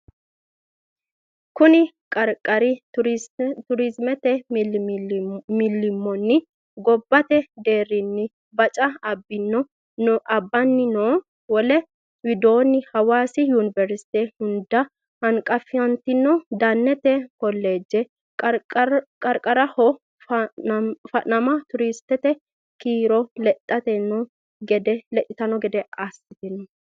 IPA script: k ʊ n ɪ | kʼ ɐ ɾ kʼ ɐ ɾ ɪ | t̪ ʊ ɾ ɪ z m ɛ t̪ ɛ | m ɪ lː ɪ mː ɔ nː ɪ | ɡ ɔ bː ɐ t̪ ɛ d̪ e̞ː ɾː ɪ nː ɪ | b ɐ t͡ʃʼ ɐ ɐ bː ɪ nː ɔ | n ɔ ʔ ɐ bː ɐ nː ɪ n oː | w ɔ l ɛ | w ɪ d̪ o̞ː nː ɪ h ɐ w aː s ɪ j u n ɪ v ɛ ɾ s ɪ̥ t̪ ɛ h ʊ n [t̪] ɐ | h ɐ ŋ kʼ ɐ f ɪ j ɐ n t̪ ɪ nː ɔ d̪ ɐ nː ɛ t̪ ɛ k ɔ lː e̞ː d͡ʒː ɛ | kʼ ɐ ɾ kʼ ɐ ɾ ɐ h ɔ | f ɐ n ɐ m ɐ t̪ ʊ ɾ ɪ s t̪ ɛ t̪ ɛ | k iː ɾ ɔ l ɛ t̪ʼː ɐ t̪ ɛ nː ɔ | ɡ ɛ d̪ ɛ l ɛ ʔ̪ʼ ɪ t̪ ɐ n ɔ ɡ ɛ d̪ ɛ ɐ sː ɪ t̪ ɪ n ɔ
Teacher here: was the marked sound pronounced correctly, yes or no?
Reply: no